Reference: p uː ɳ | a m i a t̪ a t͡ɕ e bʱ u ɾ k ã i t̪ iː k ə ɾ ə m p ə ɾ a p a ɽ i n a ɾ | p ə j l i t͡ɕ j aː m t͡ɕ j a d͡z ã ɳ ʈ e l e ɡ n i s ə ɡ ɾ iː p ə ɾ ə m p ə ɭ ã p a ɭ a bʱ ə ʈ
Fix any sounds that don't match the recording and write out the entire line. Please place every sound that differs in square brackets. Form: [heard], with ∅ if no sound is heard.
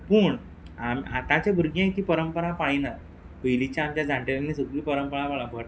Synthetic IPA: p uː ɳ | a m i a t̪ a t͡ɕ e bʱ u ɾ [ɡ] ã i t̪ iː [p] ə ɾ ə m p ə ɾ a p a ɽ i n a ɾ | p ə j l i t͡ɕ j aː m t͡ɕ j a d͡z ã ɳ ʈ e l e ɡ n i s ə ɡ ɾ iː p ə ɾ ə m p ə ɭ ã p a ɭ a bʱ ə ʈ